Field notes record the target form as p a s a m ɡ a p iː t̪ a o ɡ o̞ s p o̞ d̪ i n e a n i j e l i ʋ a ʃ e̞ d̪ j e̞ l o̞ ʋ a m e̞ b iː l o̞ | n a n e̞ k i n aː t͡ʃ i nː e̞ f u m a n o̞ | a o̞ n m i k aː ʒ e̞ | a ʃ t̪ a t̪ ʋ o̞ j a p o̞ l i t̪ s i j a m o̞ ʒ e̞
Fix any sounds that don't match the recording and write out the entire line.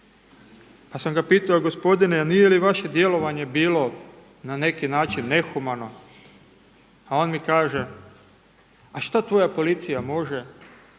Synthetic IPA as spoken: p a s a m ɡ a p iː t̪ a o ɡ o̞ s p o̞ d̪ i n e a n i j e l i ʋ a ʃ e̞ d̪ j e̞ l o̞ ʋ a ɲ e̞ b iː l o̞ | n a n e̞ k i n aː t͡ʃ i nː e̞ x u m a n o̞ | a o̞ n m i k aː ʒ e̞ | a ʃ t̪ a t̪ ʋ o̞ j a p o̞ l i t̪ s i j a m o̞ ʒ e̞

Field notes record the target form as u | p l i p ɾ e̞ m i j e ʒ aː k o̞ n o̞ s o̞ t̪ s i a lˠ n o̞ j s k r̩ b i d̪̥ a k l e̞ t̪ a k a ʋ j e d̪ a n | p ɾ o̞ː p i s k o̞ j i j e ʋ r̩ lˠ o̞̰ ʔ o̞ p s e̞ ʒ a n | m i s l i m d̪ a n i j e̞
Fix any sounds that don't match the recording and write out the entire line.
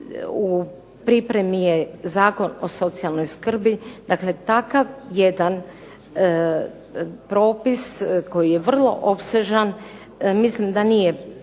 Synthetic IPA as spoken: u | p ɾ i p ɾ e̞ m i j e z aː k o̞ n o̞ s o̞ t̪ s i a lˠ n o̞ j s k r̩ b i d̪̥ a k l e̞ t̪ a k a ʋ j e d̪ a n | p ɾ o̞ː p i s k o̞ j i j e ʋ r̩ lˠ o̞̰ ʔ o̞ p s e̞ ʒ a n | m i s l i m d̪ a n i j e̞

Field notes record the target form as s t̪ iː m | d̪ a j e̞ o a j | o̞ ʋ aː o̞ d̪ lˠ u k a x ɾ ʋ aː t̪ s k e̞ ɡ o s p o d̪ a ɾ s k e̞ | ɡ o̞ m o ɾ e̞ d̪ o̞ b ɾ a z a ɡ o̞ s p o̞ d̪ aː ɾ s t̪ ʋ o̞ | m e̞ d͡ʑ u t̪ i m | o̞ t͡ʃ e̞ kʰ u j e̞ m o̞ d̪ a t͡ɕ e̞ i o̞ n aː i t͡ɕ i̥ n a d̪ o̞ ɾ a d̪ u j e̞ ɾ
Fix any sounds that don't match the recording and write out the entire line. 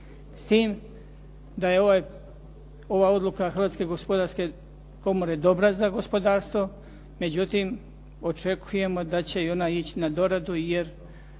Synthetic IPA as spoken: s t̪ iː m | d̪ a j e̞ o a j | o̞ ʋ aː o̞ d̪ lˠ u k a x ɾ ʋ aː t̪ s k e̞ ɡ o s p o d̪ a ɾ s k e̞ | k o̞ m o ɾ e̞ d̪ o̞ b ɾ a z a ɡ o̞ s p o̞ d̪ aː ɾ s t̪ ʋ o̞ | m e̞ d͡ʑ u t̪ i m | o̞ t͡ʃ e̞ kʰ u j e̞ m o̞ d̪ a t͡ɕ e̞ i o̞ n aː i t͡ɕ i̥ n a d̪ o̞ ɾ a d̪ u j e̞ ɾ

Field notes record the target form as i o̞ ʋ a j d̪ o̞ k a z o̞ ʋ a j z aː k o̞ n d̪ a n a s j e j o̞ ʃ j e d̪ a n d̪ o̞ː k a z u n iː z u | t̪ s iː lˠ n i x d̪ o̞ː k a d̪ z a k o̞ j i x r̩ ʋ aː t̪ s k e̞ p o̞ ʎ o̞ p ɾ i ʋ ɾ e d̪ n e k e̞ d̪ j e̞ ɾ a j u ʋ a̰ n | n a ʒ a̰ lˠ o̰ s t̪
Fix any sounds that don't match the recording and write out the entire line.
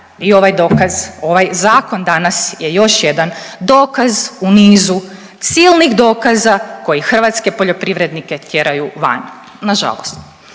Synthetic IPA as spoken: i o̞ ʋ a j d̪ o̞ k a z o̞ ʋ a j z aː k o̞ n d̪ a n a s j e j o̞ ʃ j e d̪ a n d̪ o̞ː k a z u n iː z u | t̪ s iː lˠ n i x d̪ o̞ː k a z a k o̞ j i x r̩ ʋ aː t̪ s k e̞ p o̞ ʎ o̞ p ɾ i ʋ ɾ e d̪ n i k e̞ t̪ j e̞ ɾ a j u ʋ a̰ n | n a ʒ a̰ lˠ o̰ s t̪

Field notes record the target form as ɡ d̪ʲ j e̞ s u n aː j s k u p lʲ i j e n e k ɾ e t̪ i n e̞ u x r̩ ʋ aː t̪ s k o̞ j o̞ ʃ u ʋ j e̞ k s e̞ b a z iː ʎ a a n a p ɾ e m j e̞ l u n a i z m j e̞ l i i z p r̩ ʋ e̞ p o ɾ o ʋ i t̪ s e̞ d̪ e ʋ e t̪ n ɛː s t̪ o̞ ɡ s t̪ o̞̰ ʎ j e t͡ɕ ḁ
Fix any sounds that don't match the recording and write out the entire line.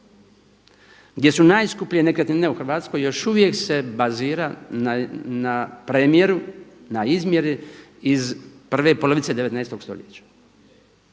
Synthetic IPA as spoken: ɡ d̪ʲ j e̞ s u n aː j s k u p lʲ i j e n e k ɾ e t̪ i n e̞ u x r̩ ʋ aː t̪ s k o̞ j o̞ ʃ u ʋ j e̞ k s e̞ b a z iː ɾ a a n a p ɾ e m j e̞ ɾ u n a i z m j e̞ ɾ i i z p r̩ ʋ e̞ p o l o ʋ i t̪ s e̞ d̪ e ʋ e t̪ n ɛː s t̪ o̞ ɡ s t̪ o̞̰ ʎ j e t͡ɕ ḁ

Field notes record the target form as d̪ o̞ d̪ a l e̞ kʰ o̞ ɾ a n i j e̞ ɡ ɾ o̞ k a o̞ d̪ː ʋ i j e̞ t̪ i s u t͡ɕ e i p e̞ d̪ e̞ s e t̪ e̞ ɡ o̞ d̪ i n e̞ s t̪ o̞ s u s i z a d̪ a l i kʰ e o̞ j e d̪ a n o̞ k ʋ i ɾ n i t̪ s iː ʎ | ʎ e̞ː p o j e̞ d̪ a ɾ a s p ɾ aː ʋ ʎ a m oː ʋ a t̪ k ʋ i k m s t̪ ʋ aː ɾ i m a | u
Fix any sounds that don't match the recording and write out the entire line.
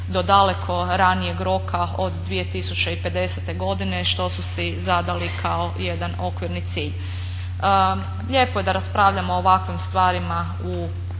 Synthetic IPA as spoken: d̪ o̞ d̪ a l e̞ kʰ o̞ ɾ a n i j e̞ ɡ ɾ o̞ k a o̞ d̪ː ʋ i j e̞ t̪ i s u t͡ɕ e i p e̞ d̪ e̞ s e t̪ e̞ ɡ o̞ d̪ i n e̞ ʃ t̪ o̞ s u s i z a d̪ a l i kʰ a o̞ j e d̪ a n o̞ k ʋ i ɾ n i t̪ s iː ʎ | ʎ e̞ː p o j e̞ d̪ a ɾ a s p ɾ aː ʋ ʎ a m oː ʋ a k ʋ i m s t̪ ʋ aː ɾ i m a | u

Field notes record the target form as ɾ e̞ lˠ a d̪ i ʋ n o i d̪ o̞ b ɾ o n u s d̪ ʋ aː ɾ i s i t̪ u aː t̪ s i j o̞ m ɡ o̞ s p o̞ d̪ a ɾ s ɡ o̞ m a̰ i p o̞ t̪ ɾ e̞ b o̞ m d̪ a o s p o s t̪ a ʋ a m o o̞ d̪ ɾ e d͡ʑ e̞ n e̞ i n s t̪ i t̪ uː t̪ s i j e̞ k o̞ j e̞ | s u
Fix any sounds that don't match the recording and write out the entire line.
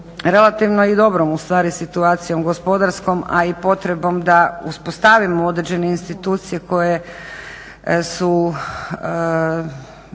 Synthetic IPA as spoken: ɾ e̞ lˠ a t̪ i ʋ n o i d̪ o̞ b ɾ o m u s t̪ ʋ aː ɾ i s i t̪ u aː t̪ s i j o̞ m ɡ o̞ s p o̞ d̪ a ɾ s k o̞ m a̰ i p o̞ t̪ ɾ e̞ b o̞ m d̪ a u s p o s t̪ a ʋ i m o o̞ d̪ ɾ e d͡ʑ e̞ n e̞ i n s t̪ i t̪ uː t̪ s i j e̞ k o̞ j e̞ | s u

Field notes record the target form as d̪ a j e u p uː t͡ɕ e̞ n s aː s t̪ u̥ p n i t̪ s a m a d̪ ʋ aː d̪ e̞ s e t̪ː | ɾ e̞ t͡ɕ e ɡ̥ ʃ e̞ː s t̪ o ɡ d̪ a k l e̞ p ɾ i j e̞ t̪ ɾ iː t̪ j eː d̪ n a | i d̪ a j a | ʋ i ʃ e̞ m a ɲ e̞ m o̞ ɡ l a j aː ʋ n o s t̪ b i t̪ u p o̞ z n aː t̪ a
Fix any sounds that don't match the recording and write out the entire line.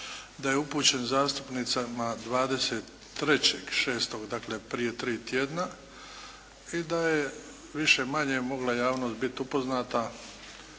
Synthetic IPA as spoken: d̪ a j e u p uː t͡ɕ e̞ n z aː s t̪ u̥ p n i t̪ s a m a d̪ ʋ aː d̪ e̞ s e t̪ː | ɾ e̞ t͡ɕ e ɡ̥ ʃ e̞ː s t̪ o ɡ d̪ a k l e̞ p ɾ i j e̞ t̪ ɾ iː t̪ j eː d̪ n a | i d̪ a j e | ʋ i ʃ e̞ m a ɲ e̞ m o̞ ɡ l a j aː ʋ n o s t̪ b i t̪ u p o̞ z n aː t̪ a

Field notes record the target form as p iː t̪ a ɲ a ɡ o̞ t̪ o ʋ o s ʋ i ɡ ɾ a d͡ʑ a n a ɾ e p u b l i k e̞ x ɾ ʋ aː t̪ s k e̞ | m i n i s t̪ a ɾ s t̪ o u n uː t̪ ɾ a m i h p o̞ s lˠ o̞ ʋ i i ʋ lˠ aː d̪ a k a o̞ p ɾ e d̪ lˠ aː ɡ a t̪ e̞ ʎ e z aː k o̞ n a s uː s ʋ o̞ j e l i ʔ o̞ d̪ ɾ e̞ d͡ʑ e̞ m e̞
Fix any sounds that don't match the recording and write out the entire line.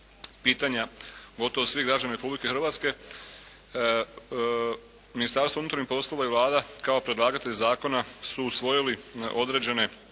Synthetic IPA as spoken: p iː t̪ a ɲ a ɡ o̞ t̪ o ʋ o s ʋ i ɡ ɾ a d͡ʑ a n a ɾ e p u b l i k e̞ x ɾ ʋ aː t̪ s k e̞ | m i n i s t̪ a ɾ s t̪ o u n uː t̪ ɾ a ɲ i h p o̞ s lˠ o̞ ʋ a i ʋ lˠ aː d̪ a k a o̞ p ɾ e d̪ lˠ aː ɡ a t̪ e̞ ʎ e z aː k o̞ n a s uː s ʋ o̞ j i l i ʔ o̞ d̪ ɾ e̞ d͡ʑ e̞ n e̞

